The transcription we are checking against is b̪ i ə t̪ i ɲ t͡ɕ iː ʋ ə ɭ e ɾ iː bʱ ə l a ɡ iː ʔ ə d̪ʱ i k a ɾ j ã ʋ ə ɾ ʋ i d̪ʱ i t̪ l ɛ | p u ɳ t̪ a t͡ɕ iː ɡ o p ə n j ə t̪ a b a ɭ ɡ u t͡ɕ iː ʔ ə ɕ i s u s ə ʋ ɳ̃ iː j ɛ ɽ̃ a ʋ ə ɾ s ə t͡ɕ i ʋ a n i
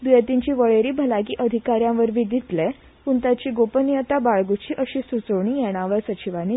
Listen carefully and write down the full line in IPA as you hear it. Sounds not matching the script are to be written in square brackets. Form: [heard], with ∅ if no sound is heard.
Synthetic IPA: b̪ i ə t̪ i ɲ t͡ɕ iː ʋ ə ɭ e ɾ iː bʱ ə l a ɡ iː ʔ ə d̪ʱ i k a ɾ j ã ʋ ə ɾ ʋ i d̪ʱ i t̪ l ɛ | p u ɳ t̪ a t͡ɕ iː ɡ o p ə n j ə t̪ a b a ɭ ɡ u t͡ɕ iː ʔ ə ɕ i s u [t͡s] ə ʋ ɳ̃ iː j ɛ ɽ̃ a ʋ ə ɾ s ə t͡ɕ i ʋ a n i

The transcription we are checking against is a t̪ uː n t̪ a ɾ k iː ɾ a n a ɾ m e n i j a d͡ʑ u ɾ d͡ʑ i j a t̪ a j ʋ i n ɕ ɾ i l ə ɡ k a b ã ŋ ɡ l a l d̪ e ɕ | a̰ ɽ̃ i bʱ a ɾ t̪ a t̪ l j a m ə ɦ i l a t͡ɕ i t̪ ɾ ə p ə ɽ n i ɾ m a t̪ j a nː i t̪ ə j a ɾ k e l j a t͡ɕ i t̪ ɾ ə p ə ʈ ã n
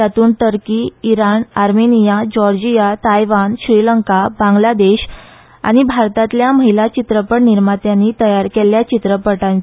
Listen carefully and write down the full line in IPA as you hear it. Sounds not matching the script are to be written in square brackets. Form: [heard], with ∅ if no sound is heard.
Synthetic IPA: a t̪ uː n t̪ [ə] ɾ k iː ɾ a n a ɾ m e n i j a d͡ʑ [ɔ] ɾ d͡ʑ i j a t̪ a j ʋ [a] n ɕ ɾ i l ə [ŋ] k a b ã ŋ ɡ l a [∅] d̪ e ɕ | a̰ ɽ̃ i bʱ a ɾ t̪ a t̪ l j a m ə ɦ i l a t͡ɕ i t̪ ɾ ə p ə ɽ n i ɾ m a t̪ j a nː i t̪ ə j a ɾ k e l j a t͡ɕ i t̪ ɾ ə p ə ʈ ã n

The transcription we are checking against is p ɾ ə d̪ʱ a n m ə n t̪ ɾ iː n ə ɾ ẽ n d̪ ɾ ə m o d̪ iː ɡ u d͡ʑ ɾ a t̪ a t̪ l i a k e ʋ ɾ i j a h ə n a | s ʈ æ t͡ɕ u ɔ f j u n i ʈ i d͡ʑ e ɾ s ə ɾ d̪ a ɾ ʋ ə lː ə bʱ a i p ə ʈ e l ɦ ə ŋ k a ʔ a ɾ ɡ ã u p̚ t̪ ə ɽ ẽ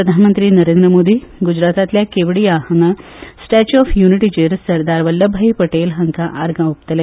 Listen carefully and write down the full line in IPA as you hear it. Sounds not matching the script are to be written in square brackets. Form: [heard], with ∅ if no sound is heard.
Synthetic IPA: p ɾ ə d̪ʱ a n m ə n t̪ ɾ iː n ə ɾ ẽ n d̪ ɾ ə m o d̪ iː ɡ u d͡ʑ ɾ a t̪ a t̪ l [j] a k e ʋ [ɽ] i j a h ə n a | s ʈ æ t͡ɕ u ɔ f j u n i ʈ i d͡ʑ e ɾ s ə ɾ d̪ a ɾ ʋ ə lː ə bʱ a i p ə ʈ e l ɦ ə ŋ k a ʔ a ɾ ɡ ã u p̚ t̪ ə [l] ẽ

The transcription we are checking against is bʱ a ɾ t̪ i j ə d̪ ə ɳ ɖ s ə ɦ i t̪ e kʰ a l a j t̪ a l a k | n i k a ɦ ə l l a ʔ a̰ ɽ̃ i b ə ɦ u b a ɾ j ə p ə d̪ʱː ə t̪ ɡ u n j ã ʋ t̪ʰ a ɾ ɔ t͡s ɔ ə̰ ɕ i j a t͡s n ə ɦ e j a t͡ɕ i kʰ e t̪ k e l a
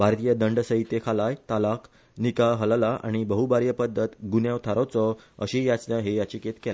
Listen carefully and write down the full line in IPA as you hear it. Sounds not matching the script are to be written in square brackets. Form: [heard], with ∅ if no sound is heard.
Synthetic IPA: bʱ a ɾ t̪ i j ə d̪ ə ɳ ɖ s ə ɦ i t̪ e kʰ a l a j t̪ a l a k | n i k a ɦ ə l l a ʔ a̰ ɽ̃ i b ə ɦ u b a ɾ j ə p ə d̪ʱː ə t̪ ɡ u n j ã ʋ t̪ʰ a ɾ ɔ t͡s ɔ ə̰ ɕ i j a t͡s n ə ɦ e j a t͡ɕ i [k] e t̪ k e l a

